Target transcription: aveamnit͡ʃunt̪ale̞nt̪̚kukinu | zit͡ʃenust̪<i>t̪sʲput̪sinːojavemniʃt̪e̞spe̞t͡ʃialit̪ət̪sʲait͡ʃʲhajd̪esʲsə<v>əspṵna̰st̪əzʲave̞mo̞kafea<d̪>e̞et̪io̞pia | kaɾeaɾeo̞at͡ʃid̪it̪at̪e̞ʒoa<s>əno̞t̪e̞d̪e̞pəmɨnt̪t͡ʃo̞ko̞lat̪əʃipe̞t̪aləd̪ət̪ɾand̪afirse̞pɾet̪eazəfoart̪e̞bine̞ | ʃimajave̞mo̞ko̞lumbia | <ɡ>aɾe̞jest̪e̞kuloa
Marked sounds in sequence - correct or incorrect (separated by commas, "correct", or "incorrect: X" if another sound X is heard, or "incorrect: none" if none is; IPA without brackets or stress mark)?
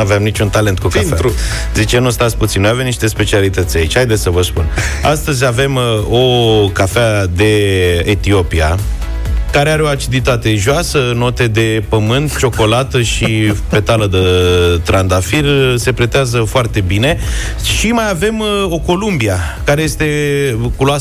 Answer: incorrect: a, correct, correct, correct, incorrect: k